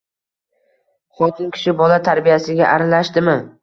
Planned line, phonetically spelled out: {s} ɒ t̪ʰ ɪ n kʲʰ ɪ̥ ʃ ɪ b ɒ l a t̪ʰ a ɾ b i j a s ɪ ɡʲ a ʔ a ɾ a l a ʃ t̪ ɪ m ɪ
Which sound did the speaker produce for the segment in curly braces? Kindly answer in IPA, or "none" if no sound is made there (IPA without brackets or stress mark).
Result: χ